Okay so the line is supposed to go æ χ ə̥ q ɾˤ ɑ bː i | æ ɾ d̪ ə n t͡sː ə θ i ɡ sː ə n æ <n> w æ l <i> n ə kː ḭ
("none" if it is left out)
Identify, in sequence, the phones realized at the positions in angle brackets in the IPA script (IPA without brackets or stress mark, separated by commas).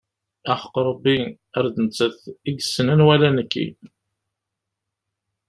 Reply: n, æ